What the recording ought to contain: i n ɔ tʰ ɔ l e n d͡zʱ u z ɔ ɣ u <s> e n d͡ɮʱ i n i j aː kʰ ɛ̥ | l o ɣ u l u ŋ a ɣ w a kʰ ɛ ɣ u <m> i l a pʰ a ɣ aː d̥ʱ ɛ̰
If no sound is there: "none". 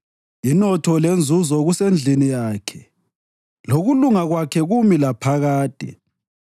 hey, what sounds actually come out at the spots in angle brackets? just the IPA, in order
s, m

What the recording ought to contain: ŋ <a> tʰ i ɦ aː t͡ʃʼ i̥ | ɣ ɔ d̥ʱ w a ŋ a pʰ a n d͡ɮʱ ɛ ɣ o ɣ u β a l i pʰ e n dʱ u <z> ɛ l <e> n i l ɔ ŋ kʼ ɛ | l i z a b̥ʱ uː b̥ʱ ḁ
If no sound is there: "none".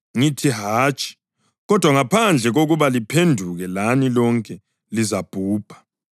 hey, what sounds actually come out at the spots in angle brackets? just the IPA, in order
i, ɣ, a

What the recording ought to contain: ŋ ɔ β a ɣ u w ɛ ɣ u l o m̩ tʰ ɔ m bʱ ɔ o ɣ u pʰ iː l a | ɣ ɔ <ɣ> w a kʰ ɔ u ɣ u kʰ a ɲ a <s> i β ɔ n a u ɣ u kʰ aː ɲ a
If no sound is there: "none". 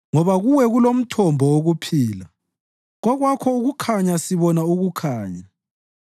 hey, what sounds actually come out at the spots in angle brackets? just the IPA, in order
ɣ, s

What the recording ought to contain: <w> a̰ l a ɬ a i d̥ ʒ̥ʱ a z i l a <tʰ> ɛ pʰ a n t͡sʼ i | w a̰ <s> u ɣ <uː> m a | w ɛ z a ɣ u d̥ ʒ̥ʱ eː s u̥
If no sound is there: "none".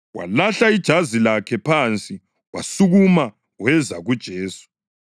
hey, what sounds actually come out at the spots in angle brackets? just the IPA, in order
w, kʰ, s, u

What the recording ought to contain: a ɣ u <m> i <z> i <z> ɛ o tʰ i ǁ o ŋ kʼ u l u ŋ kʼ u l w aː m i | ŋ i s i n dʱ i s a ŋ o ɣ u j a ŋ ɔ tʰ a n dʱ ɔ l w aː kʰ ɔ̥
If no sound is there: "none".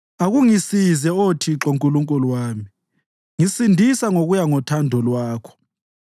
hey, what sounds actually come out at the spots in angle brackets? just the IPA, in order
ŋ, s, z

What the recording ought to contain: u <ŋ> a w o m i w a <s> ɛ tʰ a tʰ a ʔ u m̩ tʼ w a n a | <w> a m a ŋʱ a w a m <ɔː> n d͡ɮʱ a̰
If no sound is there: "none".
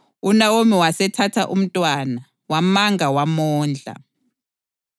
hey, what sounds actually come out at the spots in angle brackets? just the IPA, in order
n, s, w, ɔː

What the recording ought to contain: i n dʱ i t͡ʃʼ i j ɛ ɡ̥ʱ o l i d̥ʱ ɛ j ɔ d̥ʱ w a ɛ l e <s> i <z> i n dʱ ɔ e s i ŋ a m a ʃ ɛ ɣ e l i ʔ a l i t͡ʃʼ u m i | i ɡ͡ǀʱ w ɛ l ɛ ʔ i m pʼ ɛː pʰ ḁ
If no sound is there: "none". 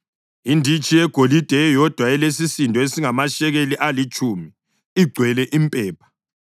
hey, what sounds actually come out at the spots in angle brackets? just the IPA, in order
s, s

